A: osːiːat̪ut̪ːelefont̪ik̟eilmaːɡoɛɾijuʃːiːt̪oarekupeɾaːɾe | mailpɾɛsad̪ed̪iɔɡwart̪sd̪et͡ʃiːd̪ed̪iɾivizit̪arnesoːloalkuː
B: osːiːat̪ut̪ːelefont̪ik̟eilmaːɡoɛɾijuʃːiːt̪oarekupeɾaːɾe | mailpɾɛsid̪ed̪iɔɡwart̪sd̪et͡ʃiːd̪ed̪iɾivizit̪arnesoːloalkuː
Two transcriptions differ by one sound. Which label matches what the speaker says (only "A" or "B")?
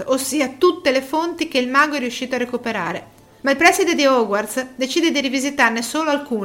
B